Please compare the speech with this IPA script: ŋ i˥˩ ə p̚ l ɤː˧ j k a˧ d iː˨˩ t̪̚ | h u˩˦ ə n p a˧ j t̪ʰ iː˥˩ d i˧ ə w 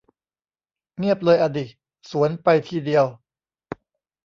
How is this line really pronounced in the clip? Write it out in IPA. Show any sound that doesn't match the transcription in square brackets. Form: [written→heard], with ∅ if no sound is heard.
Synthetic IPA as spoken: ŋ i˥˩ ə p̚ l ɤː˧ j [k→ʔ] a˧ d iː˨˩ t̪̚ | [h→s] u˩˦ ə n p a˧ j t̪ʰ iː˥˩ d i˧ ə w